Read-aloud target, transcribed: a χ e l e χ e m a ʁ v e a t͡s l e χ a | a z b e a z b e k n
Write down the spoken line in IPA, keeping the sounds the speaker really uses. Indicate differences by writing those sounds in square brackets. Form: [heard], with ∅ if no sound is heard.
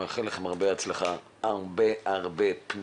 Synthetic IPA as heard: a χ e l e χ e m a ʁ [b] e a t͡s l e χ a | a [ʁ] b e a [ʁ] b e [p] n